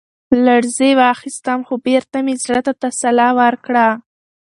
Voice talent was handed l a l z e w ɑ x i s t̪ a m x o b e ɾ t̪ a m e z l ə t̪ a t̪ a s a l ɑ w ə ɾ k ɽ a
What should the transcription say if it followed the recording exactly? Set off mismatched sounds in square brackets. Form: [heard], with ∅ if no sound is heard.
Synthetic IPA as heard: l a [ɽ] z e w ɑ x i s t̪ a m x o b e ɾ t̪ a m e z [ɽ] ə t̪ a t̪ a s a l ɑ w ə ɾ k ɽ a

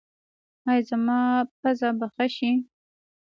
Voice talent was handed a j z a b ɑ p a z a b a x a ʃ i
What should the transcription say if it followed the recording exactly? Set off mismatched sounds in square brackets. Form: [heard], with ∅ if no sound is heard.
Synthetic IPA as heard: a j z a [m] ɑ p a z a b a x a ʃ i

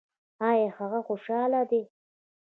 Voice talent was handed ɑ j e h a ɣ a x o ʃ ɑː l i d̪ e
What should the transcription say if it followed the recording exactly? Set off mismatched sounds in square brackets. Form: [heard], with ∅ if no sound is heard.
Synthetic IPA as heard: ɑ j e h a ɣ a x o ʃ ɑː l [a] d̪ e

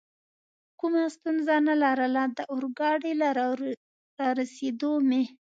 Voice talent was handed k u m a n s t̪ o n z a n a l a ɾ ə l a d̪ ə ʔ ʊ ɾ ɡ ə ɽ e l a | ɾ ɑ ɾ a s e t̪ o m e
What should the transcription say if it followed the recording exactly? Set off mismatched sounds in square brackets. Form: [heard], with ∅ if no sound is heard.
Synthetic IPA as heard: k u m a [∅] s t̪ [u] n z a n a l a ɾ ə l a d̪ ə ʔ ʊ ɾ ɡ [ɑ] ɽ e l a | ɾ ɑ ɾ a s e [d̪] o m e

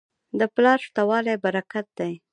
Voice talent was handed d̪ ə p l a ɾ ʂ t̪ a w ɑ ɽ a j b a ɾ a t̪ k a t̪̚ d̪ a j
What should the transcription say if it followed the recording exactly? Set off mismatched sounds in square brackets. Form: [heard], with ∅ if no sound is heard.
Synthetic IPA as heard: d̪ ə p l [ɑ] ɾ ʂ t̪ a w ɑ [l] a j b a ɾ a [∅] k a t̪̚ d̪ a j

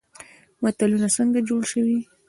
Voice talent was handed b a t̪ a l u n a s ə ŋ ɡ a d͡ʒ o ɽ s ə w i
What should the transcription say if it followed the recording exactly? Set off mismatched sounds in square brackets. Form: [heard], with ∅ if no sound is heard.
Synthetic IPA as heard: [m] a t̪ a l u n a s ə ŋ ɡ a d͡ʒ o ɽ [ʃ] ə w i

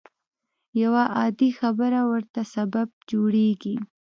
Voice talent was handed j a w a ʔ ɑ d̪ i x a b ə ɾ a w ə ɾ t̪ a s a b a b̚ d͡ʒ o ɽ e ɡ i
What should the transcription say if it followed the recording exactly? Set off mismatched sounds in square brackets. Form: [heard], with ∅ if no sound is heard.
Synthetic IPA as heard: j a w a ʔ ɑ d̪ i x a b ə ɾ a w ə ɾ t̪ a s a b a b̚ d͡ʒ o ɽ e ɡ i

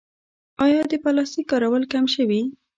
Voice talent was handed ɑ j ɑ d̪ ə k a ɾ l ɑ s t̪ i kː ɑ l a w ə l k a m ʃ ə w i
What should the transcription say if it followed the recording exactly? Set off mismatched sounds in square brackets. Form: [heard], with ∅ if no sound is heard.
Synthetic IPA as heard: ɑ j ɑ d̪ ə [p] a [∅] l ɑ s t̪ i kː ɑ [ɾ] a w ə l k a m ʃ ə w i

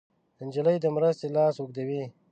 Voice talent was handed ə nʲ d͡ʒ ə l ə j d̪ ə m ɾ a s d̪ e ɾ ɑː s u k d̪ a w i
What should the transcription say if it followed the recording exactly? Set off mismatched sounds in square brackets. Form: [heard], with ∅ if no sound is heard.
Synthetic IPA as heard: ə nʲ d͡ʒ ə l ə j d̪ ə m ɾ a s [t̪] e [l] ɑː s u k d̪ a w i

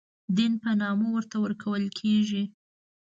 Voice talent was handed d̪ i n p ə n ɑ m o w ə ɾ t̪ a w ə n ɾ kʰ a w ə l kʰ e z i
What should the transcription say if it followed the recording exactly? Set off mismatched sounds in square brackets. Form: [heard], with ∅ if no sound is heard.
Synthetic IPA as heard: d̪ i n p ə n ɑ m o w ə ɾ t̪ a w ə [∅] ɾ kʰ a w ə l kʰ e [ʒ] i

